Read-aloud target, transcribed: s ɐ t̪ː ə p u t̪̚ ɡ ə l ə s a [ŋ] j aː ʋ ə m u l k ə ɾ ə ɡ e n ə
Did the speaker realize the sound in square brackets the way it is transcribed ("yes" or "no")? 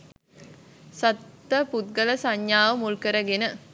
no